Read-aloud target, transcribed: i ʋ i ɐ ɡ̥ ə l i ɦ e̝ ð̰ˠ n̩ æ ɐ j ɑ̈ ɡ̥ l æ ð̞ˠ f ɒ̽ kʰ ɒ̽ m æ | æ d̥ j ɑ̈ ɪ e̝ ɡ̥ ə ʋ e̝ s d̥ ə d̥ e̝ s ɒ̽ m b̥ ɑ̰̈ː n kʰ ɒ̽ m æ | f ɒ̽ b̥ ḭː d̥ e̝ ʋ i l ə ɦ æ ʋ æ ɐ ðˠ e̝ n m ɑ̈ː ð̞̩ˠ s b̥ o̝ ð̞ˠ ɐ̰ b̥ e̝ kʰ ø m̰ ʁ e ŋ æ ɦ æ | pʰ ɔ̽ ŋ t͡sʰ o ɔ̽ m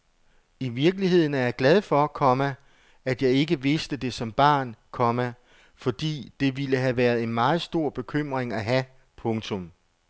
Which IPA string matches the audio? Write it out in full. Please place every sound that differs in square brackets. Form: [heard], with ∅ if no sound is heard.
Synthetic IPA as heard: i ʋ i ɐ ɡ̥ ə l i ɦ e̝ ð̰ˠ n̩ æ ɐ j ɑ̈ ɡ̥ l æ ð̞ˠ f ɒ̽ kʰ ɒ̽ m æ | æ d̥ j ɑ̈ ɪ e̝ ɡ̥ ə ʋ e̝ s d̥ ə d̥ e̝ s ɒ̽ m b̥ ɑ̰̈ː n kʰ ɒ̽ m æ | f ɒ̽ [d̥] ḭː d̥ e̝ ʋ i l ə ɦ æ ʋ æ ɐ ðˠ e̝ n m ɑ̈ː ð̞̩ˠ s [d̥] o̝ [∅] ɐ̰ b̥ e̝ kʰ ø m̰ ʁ e ŋ æ ɦ æ | pʰ ɔ̽ ŋ t͡sʰ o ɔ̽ m